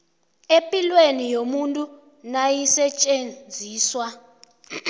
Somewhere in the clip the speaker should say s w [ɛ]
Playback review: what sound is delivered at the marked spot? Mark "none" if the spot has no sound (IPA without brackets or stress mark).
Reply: a